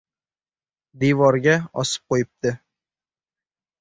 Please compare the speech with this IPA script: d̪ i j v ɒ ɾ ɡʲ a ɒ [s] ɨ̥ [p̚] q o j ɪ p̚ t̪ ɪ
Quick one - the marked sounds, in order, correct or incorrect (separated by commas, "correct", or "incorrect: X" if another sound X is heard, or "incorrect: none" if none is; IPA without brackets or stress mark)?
correct, correct